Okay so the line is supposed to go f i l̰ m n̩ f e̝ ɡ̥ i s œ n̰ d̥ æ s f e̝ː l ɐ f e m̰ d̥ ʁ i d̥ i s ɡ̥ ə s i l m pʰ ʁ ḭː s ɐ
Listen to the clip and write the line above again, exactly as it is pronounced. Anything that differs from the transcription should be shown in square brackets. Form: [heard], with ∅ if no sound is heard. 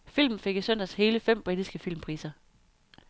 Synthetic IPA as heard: f i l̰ m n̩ f e̝ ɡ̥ i s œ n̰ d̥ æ s [h] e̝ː l [ə] f e m̰ [b̥] ʁ i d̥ i s ɡ̥ ə [f] i l m pʰ ʁ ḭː s ɐ